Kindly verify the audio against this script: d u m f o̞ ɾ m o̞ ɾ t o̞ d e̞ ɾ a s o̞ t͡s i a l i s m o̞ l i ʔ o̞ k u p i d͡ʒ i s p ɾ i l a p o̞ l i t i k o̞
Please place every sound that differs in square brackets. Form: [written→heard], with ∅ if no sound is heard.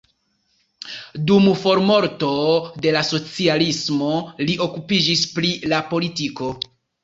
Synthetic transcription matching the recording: d u m f o̞ ɾ m o̞ ɾ t o̞ d e̞ [ɾ→l] a s o̞ t͡s i a l i s m o̞ l i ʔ o̞ k u p i d͡ʒ i s p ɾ i l a p o̞ l i t i k o̞